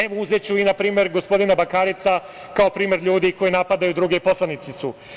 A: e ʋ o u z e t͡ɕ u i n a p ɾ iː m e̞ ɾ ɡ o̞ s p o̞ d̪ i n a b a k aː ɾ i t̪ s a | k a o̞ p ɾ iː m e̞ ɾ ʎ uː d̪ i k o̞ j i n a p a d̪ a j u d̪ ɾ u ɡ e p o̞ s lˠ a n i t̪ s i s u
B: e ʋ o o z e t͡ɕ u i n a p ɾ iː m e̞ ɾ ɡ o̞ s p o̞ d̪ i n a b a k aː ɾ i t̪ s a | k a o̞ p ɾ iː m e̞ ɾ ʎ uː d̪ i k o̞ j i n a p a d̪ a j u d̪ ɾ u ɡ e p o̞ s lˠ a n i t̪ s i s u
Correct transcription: A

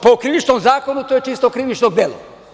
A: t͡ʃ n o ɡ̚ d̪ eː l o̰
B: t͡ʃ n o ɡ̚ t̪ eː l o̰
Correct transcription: A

